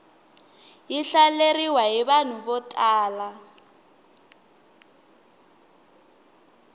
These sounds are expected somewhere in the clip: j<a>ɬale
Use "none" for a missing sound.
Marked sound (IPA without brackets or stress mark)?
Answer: i